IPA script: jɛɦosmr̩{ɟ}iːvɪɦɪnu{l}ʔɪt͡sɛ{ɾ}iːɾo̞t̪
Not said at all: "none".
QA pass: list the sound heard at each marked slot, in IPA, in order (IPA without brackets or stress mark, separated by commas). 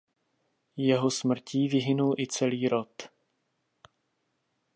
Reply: c, l, l